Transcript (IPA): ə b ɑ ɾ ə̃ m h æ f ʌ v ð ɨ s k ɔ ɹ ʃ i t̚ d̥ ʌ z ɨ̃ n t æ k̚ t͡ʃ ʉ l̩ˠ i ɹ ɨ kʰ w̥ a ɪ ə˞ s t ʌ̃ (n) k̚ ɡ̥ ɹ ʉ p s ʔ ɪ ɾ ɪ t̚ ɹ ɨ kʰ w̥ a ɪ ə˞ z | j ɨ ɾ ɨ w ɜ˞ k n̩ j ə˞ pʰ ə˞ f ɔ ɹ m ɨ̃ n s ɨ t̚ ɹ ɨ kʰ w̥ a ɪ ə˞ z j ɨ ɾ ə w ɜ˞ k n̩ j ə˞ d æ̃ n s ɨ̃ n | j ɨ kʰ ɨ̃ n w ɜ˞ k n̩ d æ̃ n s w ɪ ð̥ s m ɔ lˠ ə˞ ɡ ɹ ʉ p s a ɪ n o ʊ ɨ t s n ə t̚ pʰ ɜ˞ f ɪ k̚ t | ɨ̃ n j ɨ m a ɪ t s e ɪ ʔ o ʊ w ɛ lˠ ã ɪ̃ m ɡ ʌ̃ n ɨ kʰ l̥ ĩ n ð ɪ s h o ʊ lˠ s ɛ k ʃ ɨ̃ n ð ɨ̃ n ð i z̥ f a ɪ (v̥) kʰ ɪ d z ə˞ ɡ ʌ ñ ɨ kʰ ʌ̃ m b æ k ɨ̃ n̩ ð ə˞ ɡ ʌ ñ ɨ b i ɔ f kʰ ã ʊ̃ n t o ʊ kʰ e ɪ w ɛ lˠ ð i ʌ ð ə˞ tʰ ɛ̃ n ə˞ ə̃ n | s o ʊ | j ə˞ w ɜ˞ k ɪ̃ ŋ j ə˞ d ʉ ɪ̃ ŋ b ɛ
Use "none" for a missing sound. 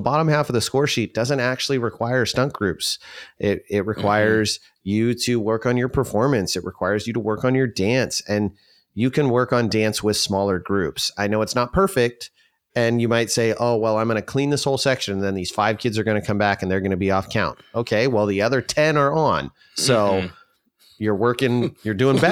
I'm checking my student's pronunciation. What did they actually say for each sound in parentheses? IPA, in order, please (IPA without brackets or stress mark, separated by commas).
ŋ, v̥